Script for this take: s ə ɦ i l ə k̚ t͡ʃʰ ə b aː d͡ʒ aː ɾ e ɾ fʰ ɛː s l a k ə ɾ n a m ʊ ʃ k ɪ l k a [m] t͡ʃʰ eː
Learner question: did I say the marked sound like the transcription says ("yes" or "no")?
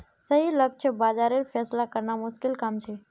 yes